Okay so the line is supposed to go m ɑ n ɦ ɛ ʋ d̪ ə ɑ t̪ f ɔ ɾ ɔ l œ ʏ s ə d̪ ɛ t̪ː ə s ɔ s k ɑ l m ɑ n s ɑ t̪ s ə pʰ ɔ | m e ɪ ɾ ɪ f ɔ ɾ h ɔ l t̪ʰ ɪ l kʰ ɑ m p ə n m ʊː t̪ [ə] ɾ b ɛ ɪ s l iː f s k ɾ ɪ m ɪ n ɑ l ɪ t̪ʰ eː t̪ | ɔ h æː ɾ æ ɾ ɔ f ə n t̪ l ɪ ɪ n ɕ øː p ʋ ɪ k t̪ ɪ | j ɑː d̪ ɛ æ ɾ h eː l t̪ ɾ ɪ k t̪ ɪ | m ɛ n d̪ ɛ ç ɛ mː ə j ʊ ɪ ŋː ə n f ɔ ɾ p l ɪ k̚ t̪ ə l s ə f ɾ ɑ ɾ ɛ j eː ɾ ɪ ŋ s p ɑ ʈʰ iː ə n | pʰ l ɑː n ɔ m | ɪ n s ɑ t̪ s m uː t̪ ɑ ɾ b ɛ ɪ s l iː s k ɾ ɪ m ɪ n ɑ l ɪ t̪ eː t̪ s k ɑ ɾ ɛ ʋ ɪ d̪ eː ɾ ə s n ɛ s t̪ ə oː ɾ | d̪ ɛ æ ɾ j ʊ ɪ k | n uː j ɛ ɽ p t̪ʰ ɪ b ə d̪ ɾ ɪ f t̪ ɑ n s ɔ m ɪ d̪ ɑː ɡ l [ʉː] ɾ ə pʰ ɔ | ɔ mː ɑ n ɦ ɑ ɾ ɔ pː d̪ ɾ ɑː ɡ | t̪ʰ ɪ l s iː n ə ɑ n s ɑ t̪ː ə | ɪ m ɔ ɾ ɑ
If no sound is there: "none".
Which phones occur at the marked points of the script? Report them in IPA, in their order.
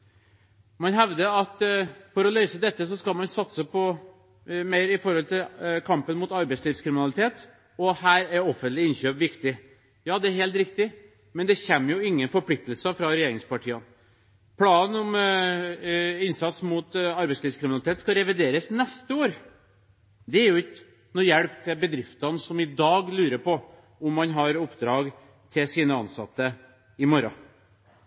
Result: ɑ, ʉː

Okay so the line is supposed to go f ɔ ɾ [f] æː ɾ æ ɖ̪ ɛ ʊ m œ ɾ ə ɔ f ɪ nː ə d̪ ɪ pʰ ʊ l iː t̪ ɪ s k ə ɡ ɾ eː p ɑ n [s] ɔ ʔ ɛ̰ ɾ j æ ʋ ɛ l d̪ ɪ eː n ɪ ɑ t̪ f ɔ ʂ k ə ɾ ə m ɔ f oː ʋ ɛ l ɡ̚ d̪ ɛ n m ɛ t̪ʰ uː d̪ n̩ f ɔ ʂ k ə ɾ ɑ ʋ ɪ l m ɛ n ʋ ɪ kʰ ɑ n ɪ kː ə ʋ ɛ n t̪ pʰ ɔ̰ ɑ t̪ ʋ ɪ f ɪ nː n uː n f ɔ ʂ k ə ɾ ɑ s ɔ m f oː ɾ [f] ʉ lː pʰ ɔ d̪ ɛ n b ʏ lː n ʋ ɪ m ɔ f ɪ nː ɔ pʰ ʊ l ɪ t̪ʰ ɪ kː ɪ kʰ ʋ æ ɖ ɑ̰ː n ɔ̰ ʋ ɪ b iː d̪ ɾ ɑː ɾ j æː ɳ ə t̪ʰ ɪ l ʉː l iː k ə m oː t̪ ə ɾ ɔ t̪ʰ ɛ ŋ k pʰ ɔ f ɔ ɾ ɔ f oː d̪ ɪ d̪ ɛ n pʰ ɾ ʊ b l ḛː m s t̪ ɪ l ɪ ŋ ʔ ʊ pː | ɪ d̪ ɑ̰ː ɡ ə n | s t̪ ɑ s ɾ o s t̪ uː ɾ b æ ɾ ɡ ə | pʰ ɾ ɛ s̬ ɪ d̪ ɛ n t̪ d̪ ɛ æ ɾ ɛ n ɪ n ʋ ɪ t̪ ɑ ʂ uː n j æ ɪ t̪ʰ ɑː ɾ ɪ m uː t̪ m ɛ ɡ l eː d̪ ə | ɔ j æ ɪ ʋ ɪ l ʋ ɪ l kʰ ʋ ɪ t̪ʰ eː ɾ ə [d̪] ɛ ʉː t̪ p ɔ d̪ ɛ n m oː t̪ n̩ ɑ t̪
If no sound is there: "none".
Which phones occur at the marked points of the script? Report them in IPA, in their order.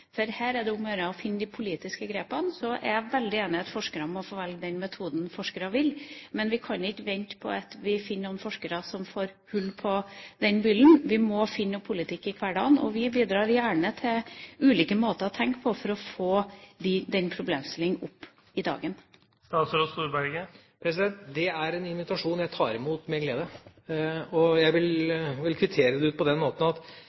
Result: h, s, h, d̪

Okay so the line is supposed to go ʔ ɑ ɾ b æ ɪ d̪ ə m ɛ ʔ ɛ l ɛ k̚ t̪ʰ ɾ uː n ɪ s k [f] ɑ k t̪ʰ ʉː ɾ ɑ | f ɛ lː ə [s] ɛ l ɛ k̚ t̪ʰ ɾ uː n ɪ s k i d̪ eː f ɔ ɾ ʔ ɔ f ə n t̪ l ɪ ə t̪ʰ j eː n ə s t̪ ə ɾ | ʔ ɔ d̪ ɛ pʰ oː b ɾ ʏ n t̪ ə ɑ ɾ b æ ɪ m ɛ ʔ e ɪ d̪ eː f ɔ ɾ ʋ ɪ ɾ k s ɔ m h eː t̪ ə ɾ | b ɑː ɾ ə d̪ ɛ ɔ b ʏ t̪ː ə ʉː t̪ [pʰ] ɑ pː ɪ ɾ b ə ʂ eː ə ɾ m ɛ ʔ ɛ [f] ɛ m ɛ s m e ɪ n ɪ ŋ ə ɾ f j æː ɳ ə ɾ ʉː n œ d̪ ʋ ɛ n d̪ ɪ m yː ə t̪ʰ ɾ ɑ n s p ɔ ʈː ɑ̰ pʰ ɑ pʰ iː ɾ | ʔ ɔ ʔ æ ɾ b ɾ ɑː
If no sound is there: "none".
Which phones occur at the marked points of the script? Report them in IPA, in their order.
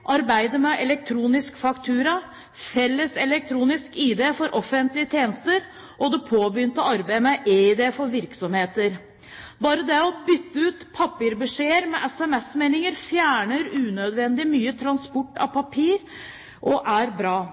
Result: f, s, pʰ, s

